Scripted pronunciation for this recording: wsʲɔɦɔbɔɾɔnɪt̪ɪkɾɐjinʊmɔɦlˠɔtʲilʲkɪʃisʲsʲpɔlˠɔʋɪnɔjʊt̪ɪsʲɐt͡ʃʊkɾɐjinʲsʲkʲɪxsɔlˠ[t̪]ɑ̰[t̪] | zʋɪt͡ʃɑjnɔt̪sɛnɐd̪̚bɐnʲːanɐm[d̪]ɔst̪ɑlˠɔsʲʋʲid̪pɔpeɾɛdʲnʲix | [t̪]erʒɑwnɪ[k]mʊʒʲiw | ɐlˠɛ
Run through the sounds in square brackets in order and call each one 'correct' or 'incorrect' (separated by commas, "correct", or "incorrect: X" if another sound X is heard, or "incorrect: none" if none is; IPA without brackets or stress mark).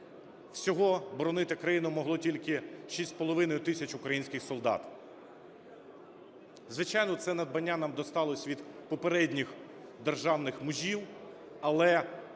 incorrect: d̪, correct, correct, incorrect: d̪, incorrect: x